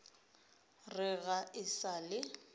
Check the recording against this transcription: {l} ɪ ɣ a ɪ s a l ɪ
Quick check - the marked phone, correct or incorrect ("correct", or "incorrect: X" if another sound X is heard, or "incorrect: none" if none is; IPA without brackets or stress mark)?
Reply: incorrect: r